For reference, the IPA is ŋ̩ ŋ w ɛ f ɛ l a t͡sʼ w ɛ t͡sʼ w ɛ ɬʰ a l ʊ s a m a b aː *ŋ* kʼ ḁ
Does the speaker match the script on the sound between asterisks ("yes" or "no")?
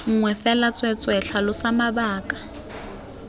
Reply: no